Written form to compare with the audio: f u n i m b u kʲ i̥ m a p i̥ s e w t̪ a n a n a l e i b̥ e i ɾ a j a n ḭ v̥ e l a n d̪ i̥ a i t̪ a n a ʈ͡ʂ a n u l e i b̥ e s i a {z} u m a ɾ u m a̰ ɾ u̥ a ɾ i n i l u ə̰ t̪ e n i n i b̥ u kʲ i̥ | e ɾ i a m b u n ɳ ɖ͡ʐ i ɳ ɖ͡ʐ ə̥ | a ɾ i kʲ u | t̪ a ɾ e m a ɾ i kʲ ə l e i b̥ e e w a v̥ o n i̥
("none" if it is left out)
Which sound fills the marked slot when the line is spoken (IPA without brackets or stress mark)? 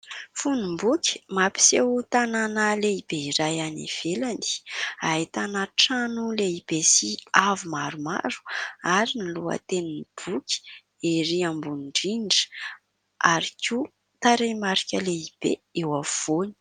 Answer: v